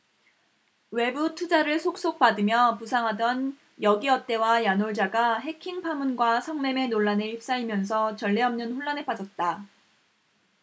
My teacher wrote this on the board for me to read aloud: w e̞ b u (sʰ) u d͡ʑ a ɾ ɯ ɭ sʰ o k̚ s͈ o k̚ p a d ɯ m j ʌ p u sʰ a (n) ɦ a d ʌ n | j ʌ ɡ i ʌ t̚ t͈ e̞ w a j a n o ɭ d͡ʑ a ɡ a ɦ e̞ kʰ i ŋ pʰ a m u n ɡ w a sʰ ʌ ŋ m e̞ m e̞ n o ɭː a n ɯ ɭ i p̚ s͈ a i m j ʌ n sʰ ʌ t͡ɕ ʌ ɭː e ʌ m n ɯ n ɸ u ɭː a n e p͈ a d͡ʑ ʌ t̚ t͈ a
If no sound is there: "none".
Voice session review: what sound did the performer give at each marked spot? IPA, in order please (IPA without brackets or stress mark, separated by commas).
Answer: tʰ, ŋ